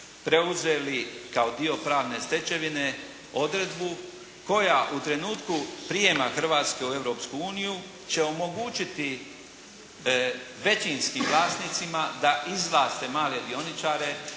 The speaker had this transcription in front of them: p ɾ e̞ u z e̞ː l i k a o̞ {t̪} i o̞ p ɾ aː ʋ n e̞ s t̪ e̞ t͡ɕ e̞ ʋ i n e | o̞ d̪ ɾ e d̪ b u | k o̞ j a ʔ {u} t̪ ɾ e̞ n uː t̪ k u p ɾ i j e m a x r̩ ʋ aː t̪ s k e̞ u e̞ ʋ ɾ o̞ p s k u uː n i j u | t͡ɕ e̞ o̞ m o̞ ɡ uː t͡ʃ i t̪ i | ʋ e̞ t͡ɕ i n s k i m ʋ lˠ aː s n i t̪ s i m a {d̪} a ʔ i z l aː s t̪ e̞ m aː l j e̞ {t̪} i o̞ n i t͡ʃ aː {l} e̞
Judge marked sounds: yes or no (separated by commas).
no, yes, yes, no, no